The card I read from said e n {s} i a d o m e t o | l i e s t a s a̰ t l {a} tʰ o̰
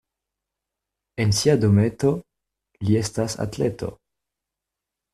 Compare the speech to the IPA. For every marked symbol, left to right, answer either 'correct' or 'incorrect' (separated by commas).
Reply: correct, incorrect